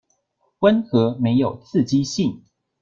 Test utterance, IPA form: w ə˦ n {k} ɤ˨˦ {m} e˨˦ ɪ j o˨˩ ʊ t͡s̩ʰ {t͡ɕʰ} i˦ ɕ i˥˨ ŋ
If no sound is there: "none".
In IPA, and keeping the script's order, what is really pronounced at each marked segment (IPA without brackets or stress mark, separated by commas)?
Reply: x, m, t͡ɕ